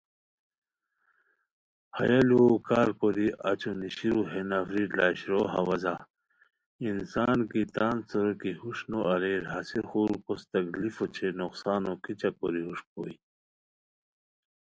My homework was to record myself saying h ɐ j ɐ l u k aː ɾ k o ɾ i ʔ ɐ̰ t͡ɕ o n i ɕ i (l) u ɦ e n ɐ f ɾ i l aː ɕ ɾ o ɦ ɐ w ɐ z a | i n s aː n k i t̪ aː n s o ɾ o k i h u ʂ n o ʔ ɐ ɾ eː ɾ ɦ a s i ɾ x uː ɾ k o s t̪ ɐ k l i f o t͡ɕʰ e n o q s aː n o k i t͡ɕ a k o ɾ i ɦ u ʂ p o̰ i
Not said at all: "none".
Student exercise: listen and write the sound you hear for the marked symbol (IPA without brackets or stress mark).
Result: ɾ